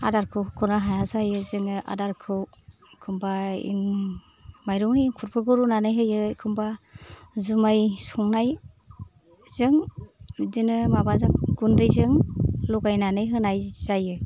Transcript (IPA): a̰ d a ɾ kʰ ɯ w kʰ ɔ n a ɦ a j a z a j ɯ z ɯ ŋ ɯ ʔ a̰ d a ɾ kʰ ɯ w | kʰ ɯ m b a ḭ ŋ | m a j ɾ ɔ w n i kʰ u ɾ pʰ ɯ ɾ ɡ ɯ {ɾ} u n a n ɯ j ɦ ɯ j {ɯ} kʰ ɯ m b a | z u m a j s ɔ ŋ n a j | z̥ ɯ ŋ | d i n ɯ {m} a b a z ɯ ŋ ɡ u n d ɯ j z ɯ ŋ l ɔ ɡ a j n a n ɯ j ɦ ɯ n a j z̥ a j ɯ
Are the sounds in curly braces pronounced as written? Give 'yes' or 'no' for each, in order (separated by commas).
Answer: yes, yes, yes